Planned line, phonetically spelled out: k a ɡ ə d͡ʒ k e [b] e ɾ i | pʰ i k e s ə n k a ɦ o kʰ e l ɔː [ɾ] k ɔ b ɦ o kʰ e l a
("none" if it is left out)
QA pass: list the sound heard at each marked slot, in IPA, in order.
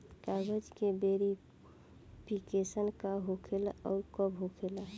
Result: b, ɾ

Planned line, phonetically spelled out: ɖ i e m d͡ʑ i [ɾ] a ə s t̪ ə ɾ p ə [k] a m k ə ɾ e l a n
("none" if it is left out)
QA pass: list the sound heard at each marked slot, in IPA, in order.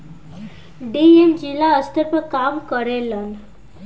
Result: l, k

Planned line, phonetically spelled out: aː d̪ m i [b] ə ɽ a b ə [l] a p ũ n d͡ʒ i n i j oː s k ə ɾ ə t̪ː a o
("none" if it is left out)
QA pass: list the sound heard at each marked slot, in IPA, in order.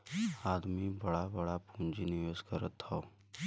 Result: b, ɽ

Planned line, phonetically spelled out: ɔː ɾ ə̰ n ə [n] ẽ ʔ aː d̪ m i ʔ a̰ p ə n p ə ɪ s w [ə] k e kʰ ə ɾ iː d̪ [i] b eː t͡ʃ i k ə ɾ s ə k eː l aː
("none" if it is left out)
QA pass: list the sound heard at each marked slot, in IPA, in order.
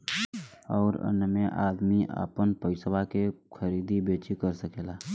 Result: m, a, i

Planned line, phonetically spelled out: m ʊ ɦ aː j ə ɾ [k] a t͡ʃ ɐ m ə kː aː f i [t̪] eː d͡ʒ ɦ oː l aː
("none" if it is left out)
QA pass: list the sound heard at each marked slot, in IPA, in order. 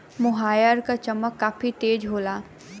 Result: k, t̪

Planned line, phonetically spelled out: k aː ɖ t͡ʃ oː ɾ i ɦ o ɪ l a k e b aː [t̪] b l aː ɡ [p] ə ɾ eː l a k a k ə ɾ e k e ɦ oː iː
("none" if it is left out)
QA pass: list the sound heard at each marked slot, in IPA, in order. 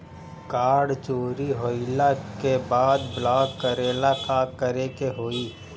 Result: d̪, k

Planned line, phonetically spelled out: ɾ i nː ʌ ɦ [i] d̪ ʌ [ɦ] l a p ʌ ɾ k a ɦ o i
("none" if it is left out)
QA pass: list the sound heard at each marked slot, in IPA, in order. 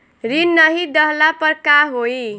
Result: i, ɦ

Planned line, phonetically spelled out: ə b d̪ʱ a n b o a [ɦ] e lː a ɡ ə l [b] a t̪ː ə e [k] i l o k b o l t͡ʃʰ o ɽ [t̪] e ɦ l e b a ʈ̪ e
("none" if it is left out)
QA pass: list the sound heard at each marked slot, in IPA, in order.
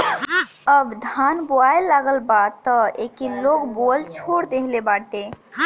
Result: none, b, k, d̪

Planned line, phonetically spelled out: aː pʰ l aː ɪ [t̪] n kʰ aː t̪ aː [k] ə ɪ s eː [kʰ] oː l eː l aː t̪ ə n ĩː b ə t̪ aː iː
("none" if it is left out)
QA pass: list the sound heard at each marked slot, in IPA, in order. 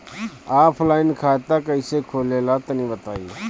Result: none, k, kʰ

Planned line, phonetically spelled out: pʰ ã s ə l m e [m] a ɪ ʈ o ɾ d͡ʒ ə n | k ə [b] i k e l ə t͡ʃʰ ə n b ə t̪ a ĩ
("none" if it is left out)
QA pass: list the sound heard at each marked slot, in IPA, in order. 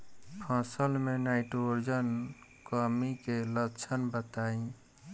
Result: n, m

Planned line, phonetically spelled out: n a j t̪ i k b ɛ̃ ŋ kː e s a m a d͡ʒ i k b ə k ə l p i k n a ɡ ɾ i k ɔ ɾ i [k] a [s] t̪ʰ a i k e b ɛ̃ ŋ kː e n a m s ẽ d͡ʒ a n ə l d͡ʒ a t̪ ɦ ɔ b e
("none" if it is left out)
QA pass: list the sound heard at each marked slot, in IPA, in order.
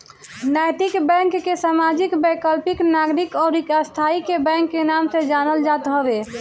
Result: k, s

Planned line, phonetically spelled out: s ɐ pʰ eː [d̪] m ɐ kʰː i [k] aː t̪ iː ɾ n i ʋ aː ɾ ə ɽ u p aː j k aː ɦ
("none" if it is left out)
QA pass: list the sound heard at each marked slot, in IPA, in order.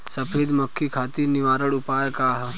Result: d̪, kʰ

